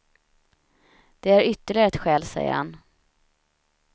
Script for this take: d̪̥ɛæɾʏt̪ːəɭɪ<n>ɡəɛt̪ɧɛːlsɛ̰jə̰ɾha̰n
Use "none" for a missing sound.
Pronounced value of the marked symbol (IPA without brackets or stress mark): none